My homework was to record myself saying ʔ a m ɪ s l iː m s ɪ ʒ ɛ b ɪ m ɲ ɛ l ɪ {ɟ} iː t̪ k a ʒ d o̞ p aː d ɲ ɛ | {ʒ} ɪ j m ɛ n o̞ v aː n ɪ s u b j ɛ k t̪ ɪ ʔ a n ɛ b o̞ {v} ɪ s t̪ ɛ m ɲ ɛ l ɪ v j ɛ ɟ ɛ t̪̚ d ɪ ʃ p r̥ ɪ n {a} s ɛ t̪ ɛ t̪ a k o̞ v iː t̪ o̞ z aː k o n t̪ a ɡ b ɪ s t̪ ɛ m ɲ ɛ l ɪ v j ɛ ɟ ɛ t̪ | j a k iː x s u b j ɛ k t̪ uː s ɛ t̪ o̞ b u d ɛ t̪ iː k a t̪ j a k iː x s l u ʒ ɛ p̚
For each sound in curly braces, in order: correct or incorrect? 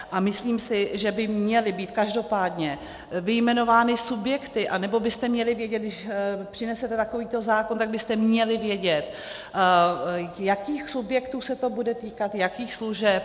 incorrect: b, incorrect: v, incorrect: b, incorrect: ɛ

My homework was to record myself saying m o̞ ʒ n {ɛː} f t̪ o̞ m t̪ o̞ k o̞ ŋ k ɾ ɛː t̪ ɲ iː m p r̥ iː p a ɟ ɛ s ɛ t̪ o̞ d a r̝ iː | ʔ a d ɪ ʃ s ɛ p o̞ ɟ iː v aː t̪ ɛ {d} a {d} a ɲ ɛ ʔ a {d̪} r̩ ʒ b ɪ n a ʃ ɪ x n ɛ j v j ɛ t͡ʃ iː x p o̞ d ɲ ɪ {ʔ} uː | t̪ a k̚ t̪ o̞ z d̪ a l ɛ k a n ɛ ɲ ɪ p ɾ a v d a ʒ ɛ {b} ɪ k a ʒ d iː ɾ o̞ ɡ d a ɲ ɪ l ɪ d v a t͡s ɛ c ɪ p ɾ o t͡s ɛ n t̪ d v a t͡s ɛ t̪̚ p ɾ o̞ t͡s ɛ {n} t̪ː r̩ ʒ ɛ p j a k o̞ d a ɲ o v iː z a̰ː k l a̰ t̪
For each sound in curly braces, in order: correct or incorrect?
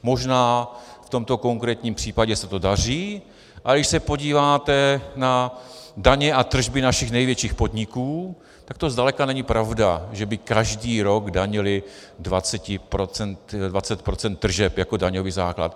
incorrect: aː, incorrect: n, correct, incorrect: t̪, incorrect: k, correct, correct

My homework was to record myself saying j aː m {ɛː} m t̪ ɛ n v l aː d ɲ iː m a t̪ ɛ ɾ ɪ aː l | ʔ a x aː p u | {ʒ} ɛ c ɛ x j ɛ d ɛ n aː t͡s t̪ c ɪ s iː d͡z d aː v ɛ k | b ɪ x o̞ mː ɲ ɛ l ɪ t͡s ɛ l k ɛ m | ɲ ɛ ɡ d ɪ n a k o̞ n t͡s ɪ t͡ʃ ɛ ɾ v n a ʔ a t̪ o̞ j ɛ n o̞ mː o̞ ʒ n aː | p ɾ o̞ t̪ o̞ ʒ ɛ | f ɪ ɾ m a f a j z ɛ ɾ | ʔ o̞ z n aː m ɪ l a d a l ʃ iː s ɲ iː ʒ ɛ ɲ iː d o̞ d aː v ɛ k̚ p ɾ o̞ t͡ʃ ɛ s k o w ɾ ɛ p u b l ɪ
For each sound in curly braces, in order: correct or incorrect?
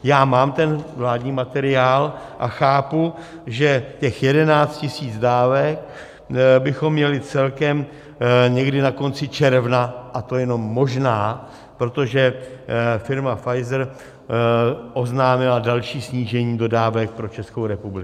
incorrect: aː, correct

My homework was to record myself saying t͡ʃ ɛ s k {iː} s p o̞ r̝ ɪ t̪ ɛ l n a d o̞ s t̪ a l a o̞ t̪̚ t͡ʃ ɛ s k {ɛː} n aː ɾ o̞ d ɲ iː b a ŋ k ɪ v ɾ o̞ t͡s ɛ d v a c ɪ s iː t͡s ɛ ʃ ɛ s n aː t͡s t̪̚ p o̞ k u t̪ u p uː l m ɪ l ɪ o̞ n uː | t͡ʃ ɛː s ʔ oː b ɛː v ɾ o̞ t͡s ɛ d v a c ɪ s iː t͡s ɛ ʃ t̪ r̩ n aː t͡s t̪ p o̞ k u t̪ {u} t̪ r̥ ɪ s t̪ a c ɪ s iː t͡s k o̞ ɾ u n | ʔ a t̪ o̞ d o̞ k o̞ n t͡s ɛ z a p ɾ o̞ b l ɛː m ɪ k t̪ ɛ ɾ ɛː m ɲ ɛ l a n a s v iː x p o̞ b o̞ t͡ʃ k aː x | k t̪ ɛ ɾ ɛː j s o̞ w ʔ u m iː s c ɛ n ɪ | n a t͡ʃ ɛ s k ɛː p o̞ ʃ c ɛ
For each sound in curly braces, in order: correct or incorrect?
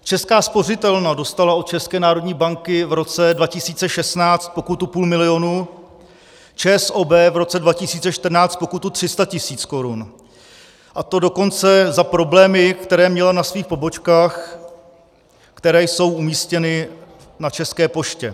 incorrect: aː, correct, correct

